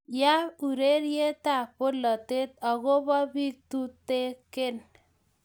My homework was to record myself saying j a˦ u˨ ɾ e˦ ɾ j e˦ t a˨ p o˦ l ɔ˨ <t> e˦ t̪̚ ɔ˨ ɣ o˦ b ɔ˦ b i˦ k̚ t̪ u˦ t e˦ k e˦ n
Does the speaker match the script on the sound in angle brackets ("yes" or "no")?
yes